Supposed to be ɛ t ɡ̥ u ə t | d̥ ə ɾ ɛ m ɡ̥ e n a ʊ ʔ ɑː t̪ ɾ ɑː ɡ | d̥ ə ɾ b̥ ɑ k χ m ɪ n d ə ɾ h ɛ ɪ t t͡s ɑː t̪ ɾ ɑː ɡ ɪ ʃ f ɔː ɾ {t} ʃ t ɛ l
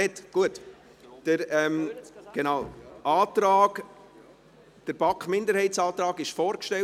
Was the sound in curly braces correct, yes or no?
no